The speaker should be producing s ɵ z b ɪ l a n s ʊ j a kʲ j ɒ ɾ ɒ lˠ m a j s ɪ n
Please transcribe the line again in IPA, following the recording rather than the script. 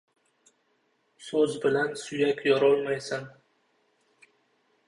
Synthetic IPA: s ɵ z b ɪ l a n s ʊ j a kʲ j ɒ ɾ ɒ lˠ m a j s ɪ n